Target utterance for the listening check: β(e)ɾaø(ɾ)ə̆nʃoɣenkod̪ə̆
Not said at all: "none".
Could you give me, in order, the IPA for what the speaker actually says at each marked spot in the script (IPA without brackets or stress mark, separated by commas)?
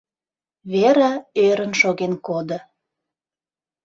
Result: e, ɾ